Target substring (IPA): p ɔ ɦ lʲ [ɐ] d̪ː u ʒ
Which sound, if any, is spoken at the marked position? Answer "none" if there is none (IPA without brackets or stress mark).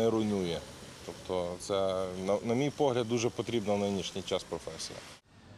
ɐ